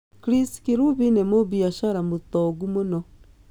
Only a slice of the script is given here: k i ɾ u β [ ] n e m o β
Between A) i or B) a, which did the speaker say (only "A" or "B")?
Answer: A